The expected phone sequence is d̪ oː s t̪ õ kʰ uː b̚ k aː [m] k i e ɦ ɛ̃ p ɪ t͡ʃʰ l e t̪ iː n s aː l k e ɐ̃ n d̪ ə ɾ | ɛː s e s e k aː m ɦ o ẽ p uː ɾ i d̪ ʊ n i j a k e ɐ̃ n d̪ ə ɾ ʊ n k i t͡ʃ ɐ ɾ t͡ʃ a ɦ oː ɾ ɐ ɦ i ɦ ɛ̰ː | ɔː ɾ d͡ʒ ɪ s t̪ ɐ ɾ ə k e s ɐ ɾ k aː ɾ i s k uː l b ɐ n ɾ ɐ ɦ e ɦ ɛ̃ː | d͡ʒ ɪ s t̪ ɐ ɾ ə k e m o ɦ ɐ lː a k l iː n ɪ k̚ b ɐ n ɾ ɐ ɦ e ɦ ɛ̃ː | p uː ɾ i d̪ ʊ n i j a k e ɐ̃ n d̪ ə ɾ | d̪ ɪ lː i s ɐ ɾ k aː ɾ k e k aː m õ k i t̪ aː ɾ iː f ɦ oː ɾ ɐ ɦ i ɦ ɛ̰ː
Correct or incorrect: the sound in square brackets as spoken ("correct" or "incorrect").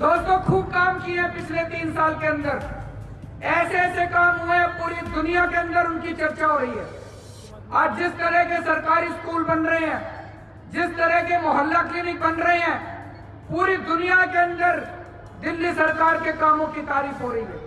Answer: correct